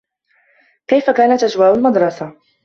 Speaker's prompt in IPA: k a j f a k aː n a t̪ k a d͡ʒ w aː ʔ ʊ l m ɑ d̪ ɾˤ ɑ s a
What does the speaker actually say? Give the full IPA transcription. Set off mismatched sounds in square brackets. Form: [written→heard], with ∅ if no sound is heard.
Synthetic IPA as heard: k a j f a k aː n a t̪ [k→ʔ] a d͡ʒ w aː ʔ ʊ l m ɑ d̪ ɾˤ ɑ s a